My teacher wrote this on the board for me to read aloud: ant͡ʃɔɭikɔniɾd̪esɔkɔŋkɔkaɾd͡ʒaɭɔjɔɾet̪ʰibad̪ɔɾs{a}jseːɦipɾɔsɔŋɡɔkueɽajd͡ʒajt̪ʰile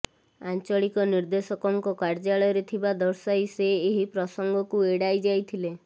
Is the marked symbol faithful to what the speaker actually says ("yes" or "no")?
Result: yes